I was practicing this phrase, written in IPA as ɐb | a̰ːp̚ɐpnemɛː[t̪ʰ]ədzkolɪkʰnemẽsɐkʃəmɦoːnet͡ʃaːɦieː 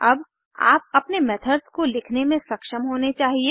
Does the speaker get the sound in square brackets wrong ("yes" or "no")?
no